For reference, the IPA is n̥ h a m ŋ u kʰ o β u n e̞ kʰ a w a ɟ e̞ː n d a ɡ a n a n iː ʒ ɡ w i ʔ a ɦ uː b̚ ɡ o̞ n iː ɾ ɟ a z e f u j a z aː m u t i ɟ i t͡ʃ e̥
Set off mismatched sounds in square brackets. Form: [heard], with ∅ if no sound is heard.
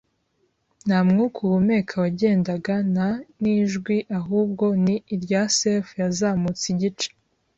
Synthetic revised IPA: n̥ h a m ŋ u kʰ [u] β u [m] e̞ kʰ a w a ɟ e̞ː n d a ɡ a n a n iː ʒ ɡ w i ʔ a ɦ uː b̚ ɡ o̞ n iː ɾ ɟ a [s] e f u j a z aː m u [t͡s] i ɟ i t͡ʃ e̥